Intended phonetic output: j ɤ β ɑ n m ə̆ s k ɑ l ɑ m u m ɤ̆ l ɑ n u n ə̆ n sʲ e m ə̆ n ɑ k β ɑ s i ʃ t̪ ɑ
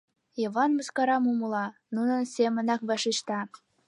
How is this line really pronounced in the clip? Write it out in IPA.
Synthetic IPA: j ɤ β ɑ n m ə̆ s k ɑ ɾ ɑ m u m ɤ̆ l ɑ n u n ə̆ n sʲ e m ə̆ n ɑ k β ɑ ʃ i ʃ t̪ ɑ